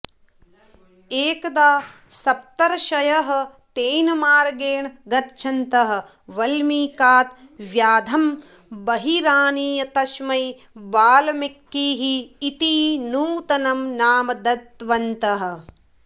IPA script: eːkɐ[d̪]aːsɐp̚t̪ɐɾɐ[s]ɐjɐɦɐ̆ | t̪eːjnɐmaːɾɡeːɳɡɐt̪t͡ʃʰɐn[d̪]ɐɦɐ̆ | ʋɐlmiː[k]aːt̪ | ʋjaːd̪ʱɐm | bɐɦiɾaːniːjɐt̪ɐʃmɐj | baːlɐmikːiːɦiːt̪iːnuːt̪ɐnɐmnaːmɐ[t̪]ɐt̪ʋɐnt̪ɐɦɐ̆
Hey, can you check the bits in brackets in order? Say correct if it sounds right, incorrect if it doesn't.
correct, incorrect, incorrect, correct, incorrect

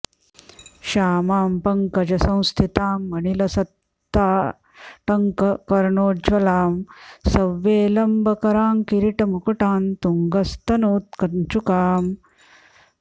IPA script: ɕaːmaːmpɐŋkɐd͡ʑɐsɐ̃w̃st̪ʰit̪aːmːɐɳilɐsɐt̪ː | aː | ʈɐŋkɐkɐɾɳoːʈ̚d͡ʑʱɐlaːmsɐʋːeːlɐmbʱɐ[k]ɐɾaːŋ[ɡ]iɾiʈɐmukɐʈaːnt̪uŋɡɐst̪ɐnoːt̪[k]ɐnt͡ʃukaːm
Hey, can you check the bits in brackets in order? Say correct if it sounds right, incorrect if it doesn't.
correct, incorrect, correct

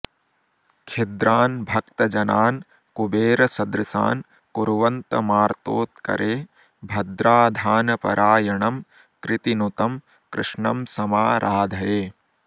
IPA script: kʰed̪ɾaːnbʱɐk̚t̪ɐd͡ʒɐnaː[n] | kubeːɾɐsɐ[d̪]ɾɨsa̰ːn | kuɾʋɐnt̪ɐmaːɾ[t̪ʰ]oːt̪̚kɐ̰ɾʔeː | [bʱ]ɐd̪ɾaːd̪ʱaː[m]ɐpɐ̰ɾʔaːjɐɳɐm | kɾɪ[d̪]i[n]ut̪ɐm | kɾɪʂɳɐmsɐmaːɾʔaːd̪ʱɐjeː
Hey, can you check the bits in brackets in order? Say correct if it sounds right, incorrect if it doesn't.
correct, correct, incorrect, correct, incorrect, incorrect, correct

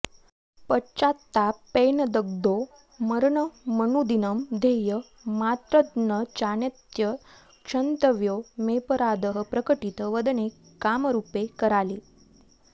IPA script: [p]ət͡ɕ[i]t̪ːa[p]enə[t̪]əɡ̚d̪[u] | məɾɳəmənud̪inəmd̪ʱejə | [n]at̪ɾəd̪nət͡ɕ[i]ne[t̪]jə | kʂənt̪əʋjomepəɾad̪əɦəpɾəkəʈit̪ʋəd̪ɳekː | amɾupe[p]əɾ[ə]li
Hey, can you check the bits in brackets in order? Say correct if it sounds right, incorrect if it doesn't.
correct, incorrect, correct, incorrect, incorrect, incorrect, incorrect, correct, incorrect, incorrect

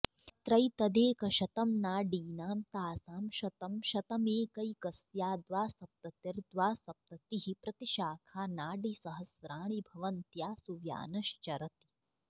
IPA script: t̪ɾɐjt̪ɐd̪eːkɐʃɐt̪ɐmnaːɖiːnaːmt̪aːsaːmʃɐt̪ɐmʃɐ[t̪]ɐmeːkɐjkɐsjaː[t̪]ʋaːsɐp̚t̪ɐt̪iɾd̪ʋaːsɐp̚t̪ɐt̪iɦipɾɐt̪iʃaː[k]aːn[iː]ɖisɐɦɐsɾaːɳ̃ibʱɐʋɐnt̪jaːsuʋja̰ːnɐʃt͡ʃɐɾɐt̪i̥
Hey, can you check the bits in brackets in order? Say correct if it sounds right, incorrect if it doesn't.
correct, incorrect, incorrect, incorrect

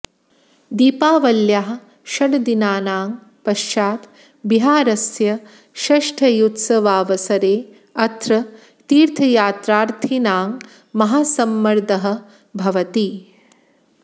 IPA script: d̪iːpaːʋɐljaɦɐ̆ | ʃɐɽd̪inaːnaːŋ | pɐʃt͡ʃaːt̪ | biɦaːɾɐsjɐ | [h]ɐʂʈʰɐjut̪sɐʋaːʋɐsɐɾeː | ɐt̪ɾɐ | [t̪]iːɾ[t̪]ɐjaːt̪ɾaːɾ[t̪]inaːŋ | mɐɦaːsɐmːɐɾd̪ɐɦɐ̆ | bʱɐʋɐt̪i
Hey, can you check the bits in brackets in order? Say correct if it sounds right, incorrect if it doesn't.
incorrect, correct, incorrect, incorrect

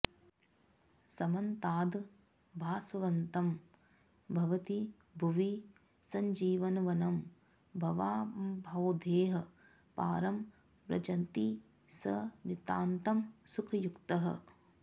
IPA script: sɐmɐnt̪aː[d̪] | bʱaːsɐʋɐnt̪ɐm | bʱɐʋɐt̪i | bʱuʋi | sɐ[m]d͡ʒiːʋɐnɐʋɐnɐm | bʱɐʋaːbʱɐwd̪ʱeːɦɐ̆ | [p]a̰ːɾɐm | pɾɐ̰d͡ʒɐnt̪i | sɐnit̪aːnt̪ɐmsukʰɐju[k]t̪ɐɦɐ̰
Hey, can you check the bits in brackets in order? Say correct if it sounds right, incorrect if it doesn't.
correct, incorrect, correct, correct

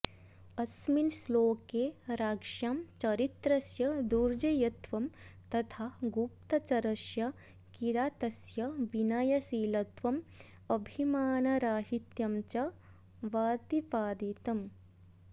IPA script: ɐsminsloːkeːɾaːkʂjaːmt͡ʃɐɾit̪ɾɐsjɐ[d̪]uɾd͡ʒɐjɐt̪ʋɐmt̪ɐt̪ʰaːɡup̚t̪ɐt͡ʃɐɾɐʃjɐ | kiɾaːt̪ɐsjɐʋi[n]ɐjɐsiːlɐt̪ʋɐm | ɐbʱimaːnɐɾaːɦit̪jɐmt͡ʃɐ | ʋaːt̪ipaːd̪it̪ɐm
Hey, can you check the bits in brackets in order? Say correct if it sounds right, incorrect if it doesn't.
correct, correct

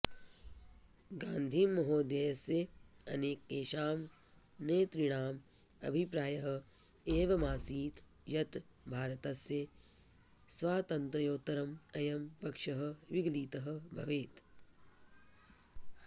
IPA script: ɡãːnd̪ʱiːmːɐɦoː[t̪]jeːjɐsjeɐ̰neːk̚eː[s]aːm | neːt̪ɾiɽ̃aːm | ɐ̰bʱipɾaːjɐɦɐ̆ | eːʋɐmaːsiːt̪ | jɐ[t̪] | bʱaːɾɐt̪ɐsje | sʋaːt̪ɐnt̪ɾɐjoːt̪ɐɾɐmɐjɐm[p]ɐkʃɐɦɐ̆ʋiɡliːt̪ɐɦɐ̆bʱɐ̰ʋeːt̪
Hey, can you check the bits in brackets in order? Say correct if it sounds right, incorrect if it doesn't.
incorrect, incorrect, correct, correct

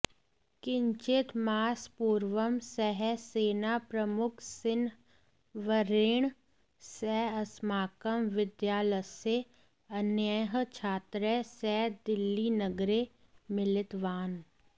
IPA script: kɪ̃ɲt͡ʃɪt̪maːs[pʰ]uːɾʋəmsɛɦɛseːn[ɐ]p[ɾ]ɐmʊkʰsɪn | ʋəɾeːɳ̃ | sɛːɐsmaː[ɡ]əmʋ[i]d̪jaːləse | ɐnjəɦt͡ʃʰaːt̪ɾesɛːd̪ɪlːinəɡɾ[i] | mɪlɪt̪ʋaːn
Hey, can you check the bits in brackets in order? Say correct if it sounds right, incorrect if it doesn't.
incorrect, incorrect, correct, incorrect, incorrect, incorrect

